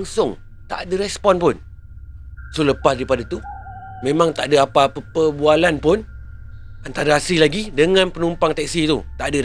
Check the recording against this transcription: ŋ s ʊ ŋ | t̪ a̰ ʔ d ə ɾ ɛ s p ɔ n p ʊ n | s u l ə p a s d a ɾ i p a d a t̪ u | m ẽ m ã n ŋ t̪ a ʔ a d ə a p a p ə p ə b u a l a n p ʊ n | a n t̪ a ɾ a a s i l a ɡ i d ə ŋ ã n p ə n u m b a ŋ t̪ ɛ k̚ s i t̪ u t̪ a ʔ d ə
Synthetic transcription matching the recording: ŋ s ʊ ŋ | t̪ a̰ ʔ d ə ɾ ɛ s p ɔ n p ʊ n | s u l ə p a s d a ɾ i p a d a t̪ u | m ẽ m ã ŋ t̪ a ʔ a d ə a p a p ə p ə b u a l a n p ʊ n | a n t̪ a ɾ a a s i l a ɡ i d ə ŋ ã n p ə n u m p a ŋ t̪ ɛ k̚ s i t̪ u t̪ a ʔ d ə